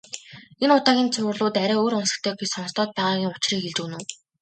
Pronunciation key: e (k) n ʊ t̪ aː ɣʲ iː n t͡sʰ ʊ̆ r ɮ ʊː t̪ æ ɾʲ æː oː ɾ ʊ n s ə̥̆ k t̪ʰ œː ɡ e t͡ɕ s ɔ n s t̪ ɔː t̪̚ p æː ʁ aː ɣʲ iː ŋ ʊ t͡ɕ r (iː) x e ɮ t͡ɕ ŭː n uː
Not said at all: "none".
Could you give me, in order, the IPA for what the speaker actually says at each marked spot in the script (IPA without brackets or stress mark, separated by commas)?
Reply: none, iː